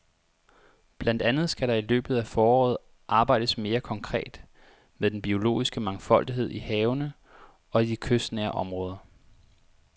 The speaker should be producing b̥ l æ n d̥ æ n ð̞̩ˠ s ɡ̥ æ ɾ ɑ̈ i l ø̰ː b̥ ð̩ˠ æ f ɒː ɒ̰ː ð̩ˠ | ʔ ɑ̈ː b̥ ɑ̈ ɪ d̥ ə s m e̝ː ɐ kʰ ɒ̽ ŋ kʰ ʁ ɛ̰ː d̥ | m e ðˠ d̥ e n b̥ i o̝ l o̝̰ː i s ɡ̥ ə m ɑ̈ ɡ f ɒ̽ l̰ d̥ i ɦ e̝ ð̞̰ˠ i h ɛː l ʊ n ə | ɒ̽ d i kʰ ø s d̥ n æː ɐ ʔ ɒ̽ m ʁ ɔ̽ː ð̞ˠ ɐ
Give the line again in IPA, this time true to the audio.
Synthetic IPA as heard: b̥ l æ n d̥ æ n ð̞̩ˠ s ɡ̥ æ ɾ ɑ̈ i l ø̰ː b̥ ð̩ˠ æ f ɒː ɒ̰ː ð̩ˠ | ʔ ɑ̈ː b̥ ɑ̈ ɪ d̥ ə s m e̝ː ɐ kʰ ɒ̽ ŋ kʰ ʁ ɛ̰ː d̥ | m e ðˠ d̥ e n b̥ i o̝ l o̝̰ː i s ɡ̥ ə m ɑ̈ ŋ f ɒ̽ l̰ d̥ i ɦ e̝ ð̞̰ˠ i h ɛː ʊ n ə | ɒ̽ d i kʰ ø s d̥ n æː ɐ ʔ ɒ̽ m ʁ ɔ̽ː ð̞ˠ ɐ